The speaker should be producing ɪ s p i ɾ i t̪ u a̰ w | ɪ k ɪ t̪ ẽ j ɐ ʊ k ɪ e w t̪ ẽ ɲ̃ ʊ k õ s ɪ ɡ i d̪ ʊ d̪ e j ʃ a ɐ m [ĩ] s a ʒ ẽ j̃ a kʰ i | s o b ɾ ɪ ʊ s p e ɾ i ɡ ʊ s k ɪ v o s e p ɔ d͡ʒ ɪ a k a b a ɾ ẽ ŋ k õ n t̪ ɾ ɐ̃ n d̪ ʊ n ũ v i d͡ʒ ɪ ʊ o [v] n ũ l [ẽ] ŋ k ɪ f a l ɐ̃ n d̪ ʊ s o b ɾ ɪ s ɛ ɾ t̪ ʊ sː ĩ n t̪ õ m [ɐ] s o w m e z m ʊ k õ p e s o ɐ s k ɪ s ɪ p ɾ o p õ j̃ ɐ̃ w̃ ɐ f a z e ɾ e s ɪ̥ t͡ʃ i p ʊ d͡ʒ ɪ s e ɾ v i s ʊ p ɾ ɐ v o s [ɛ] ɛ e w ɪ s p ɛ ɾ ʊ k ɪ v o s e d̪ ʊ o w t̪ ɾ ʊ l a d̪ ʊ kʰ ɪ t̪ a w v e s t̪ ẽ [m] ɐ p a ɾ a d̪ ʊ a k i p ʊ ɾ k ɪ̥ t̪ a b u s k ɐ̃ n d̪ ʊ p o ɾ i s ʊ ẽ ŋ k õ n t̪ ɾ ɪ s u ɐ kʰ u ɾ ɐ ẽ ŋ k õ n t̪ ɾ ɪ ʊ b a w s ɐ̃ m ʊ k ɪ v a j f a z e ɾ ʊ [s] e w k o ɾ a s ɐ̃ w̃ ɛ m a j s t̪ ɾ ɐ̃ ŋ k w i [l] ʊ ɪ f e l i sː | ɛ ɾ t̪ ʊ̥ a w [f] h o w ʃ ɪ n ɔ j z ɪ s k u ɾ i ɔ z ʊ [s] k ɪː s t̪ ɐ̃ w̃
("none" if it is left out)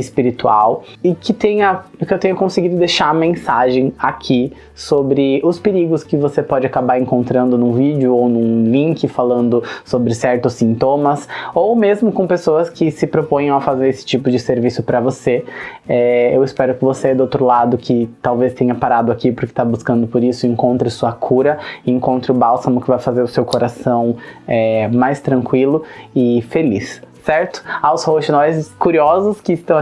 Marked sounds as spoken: ẽ, w, ĩ, ɐ, e, ɲ, s, l, s, s

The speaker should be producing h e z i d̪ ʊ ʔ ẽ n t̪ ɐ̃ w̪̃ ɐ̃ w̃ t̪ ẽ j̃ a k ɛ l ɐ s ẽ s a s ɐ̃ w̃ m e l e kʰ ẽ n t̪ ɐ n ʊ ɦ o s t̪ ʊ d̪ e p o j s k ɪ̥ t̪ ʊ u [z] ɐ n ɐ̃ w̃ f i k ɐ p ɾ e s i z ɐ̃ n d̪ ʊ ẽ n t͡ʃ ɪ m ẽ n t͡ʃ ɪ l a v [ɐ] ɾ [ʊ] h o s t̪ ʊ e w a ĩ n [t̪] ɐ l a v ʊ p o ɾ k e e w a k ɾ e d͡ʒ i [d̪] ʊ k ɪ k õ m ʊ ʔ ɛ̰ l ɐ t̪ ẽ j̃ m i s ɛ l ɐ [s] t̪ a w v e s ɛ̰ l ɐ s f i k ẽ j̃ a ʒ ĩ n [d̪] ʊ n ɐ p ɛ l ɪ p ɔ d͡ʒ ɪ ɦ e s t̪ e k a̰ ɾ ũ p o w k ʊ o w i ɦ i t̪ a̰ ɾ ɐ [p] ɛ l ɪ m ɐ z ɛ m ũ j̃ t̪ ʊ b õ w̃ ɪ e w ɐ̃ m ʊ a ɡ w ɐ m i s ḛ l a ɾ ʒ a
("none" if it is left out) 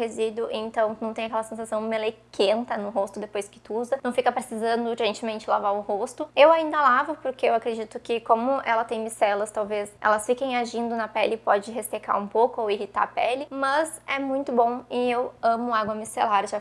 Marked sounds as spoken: z, a, ʊ, d̪, t̪, s, d̪, p

